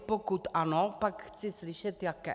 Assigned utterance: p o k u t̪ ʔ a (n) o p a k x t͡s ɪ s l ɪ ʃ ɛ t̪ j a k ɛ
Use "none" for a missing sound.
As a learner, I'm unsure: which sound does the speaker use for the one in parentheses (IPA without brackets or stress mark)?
n